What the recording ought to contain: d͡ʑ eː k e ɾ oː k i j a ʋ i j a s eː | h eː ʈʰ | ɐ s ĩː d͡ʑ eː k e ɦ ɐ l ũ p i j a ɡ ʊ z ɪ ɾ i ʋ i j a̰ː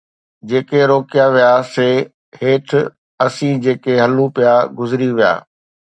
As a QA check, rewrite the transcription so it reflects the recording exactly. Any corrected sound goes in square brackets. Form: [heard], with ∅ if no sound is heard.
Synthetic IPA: d͡ʑ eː k e ɾ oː k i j a ʋ i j a s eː | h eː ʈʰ | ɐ s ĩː d͡ʑ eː k e ɦ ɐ l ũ p i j a ɡ ʊ z ɪ ɾ i ʋ i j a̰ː